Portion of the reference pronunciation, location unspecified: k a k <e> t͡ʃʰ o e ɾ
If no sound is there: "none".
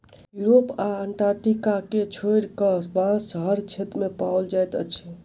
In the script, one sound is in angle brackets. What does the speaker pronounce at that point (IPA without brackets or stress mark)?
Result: e